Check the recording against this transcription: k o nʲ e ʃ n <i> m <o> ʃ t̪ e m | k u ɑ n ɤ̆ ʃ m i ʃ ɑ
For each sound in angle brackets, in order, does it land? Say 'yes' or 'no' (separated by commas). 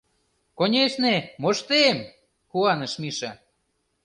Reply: no, yes